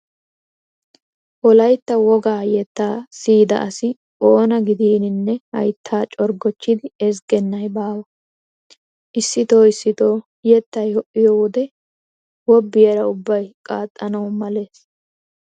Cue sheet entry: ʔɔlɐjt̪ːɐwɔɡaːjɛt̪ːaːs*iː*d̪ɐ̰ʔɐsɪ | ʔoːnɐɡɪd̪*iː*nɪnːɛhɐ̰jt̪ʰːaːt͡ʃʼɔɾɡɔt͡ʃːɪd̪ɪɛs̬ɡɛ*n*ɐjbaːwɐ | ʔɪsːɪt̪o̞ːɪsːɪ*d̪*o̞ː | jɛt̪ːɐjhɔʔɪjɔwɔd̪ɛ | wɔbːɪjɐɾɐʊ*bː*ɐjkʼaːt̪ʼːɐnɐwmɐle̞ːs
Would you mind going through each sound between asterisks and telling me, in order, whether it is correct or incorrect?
correct, correct, incorrect: nː, incorrect: t̪, correct

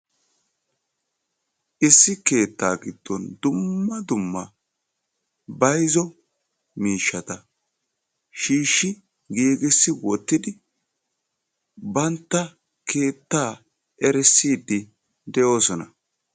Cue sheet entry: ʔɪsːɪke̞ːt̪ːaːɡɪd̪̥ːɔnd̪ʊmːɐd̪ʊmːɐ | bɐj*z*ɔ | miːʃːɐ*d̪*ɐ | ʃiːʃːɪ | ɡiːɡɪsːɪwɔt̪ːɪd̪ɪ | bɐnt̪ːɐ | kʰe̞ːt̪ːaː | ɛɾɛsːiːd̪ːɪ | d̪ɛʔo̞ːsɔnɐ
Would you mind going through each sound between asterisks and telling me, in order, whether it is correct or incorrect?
correct, incorrect: t̪

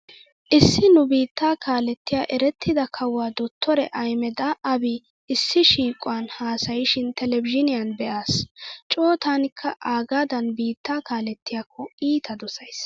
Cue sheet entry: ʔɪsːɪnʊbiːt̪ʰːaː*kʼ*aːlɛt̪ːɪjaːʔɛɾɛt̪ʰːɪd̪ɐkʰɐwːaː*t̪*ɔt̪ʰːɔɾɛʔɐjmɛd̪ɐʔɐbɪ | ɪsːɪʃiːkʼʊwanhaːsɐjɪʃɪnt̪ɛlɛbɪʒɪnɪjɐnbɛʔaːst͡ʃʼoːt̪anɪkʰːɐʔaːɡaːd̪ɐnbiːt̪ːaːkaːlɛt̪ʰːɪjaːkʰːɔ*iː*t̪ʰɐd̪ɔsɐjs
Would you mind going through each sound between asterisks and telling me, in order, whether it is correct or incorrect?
incorrect: k, incorrect: d̪, correct

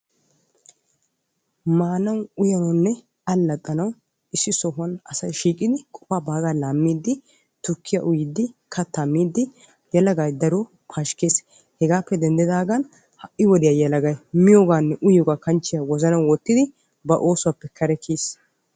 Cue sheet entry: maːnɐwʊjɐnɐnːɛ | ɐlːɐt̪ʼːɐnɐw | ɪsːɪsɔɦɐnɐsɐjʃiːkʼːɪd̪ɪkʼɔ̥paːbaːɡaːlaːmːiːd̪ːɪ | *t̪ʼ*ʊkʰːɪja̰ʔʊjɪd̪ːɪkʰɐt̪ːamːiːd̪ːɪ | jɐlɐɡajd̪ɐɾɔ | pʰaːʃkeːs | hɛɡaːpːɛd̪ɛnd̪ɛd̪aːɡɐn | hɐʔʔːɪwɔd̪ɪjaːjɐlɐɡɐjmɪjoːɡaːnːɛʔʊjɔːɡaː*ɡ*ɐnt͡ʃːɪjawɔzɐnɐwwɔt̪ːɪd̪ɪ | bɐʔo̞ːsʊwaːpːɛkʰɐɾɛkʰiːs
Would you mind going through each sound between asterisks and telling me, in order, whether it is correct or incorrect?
incorrect: t̪, incorrect: k

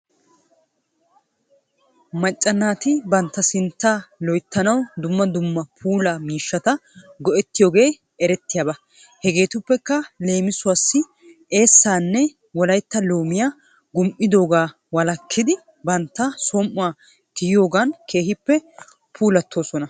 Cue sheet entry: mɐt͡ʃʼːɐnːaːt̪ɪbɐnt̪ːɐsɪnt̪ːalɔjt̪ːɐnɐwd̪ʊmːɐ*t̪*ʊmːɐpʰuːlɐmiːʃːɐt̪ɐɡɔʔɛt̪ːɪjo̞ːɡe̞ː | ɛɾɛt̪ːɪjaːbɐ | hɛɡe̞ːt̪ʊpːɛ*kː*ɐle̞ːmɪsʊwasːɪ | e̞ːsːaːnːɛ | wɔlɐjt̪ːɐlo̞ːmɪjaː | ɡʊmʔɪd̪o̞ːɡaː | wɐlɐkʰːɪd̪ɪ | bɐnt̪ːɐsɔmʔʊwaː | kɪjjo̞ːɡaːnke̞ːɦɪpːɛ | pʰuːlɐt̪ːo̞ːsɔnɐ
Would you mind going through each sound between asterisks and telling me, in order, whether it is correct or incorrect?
incorrect: d̪, correct

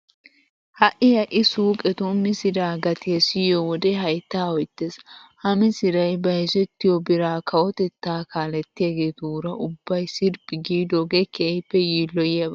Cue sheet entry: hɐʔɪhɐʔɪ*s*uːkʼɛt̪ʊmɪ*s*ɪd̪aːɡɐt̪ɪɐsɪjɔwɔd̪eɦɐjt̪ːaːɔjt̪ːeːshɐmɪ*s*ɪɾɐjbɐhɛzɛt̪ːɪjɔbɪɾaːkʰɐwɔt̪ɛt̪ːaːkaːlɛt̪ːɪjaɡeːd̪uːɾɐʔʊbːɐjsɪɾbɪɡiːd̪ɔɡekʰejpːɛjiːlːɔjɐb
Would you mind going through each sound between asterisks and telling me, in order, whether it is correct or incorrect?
correct, correct, correct

